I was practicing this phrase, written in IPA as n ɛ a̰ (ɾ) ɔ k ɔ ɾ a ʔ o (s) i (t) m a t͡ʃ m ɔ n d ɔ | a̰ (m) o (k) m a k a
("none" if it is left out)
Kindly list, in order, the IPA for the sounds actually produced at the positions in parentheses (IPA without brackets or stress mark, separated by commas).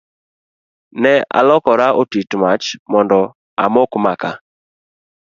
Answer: l, t, t, m, k